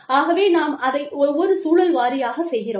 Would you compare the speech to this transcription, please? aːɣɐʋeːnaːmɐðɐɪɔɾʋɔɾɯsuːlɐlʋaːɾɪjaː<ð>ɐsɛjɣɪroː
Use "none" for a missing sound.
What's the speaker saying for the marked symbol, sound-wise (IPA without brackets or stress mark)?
ɣ